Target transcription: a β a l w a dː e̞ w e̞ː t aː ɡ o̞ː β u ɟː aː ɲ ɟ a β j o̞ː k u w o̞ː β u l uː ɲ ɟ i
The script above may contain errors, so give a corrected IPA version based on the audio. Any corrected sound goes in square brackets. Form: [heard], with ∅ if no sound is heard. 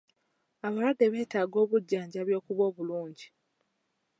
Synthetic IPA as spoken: a β a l w a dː e̞ [β] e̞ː t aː ɡ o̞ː β u ɟː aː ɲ ɟ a β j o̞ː k u [β] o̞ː β u l uː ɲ ɟ i